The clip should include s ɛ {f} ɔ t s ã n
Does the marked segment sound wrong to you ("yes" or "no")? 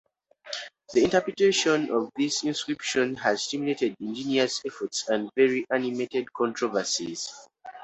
no